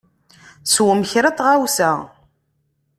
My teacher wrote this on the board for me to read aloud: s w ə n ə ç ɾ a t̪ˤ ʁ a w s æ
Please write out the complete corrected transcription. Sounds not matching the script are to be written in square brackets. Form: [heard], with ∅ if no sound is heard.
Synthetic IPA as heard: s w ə [m] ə ç ɾ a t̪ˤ ʁ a w s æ